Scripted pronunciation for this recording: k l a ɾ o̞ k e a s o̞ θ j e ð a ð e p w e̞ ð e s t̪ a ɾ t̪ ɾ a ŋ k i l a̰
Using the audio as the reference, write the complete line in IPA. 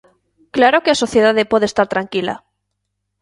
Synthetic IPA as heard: k l a ɾ o̞ k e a s o̞ θ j e ð a ð e p w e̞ ð e s t̪ a ɾ t̪ ɾ a ŋ k i l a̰